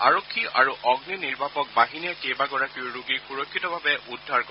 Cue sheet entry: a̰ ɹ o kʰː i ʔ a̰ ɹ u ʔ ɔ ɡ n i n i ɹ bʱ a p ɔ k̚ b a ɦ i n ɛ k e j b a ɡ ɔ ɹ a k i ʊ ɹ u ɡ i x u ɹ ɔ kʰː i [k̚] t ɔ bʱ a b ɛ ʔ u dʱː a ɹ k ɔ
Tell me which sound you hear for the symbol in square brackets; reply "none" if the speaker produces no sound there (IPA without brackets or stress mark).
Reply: none